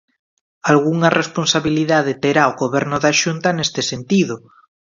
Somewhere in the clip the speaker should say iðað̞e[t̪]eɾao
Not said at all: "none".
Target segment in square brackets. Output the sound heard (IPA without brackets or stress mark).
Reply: t̪